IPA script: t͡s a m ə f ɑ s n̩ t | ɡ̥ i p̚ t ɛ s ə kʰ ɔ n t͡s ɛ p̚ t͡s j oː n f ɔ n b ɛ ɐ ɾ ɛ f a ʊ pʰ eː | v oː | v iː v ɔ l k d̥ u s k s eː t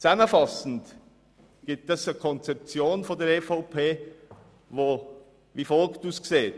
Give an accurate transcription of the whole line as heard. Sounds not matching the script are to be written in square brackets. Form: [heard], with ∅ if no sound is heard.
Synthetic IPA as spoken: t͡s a m ə f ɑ s n̩ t | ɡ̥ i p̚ t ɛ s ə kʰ ɔ n t͡s ɛ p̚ t͡s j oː n f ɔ n [d] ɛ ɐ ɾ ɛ f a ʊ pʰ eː | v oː | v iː [f] ɔ l k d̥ u s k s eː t